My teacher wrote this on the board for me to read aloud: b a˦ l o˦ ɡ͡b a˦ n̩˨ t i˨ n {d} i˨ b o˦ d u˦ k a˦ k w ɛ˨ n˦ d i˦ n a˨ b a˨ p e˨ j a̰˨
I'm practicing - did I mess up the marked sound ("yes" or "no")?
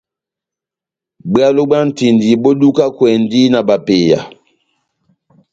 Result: no